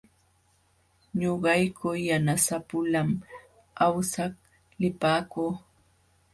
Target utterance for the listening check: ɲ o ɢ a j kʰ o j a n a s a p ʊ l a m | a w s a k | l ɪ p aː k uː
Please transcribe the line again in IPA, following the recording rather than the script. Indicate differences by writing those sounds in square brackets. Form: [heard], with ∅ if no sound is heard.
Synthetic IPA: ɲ o ɢ [ɑ] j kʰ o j a n a s a p ʊ l a m | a w s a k | l ɪ p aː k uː